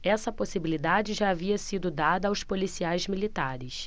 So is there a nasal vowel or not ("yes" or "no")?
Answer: no